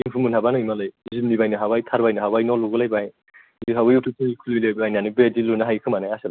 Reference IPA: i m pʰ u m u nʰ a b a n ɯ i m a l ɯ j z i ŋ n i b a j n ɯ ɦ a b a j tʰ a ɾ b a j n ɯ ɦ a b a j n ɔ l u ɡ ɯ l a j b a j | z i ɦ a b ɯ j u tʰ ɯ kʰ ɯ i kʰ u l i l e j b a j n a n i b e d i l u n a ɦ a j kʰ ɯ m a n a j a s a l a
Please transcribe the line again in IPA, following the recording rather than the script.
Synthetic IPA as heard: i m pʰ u m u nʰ a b a n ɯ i m a l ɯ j z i m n i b a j n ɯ ɦ a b a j tʰ a ɾ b a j n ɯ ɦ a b a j n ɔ l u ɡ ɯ l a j b a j | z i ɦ a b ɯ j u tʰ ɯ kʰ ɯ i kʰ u l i l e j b a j n a n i b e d i l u n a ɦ a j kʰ ɯ m a n a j a s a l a